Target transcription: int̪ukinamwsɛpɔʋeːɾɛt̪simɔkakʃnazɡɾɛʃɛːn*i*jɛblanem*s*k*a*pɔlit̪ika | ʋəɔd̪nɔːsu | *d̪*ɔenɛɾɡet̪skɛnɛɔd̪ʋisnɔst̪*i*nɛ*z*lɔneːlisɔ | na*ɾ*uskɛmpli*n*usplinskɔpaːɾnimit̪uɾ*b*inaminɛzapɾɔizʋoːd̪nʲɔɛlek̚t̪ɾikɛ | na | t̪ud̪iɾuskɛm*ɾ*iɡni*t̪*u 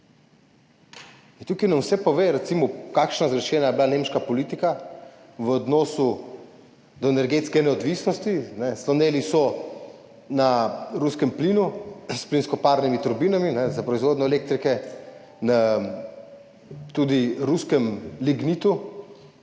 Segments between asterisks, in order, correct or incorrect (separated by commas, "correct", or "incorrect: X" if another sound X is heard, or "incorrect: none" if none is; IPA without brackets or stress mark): incorrect: a, incorrect: ʃ, correct, correct, correct, incorrect: s, correct, correct, correct, incorrect: l, correct